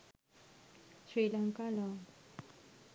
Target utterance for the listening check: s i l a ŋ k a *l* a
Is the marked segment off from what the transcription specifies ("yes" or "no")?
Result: no